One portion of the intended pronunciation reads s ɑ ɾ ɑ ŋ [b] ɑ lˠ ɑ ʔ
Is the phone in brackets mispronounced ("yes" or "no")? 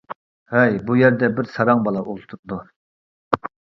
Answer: no